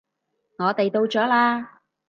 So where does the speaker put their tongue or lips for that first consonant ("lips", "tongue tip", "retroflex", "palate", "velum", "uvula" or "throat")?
velum